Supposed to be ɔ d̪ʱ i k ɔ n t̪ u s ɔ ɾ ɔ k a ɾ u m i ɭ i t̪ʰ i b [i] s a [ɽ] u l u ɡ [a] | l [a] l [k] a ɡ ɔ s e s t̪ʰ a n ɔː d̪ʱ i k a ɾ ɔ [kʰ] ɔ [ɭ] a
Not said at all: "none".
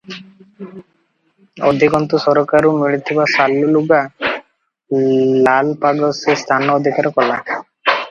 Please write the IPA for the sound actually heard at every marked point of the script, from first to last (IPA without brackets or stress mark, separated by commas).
a, l, a, a, p, k, l